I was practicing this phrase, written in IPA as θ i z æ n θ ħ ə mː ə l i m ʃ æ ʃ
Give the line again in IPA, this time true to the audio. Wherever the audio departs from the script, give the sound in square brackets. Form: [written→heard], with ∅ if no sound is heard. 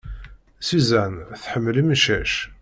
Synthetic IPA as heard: [θ→s] i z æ n θ ħ ə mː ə l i m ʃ æ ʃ